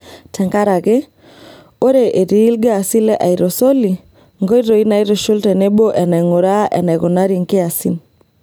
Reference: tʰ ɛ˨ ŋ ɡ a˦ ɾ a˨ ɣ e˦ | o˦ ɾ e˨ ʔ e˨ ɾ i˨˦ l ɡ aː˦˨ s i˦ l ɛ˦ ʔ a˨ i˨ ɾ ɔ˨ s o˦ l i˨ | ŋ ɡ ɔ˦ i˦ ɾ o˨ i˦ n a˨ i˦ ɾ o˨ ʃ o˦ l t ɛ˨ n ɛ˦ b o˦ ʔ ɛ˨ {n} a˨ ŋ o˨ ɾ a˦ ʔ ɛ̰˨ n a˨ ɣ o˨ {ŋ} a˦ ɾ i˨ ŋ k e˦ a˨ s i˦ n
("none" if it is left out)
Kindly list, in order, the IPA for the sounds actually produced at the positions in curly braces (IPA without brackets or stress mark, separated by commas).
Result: n, n